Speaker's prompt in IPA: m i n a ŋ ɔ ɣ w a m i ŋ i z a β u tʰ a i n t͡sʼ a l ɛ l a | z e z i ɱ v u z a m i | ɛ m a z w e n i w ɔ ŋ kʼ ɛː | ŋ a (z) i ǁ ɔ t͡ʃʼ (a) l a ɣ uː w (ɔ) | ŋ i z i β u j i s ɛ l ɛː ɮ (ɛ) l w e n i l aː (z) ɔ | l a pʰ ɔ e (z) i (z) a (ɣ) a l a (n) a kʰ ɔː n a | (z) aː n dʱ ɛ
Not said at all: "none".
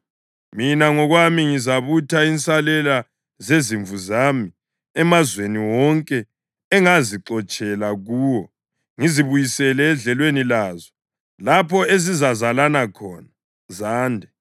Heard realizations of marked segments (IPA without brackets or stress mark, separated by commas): z, ɛ, ɔ, ɛ, z, z, z, z, n, z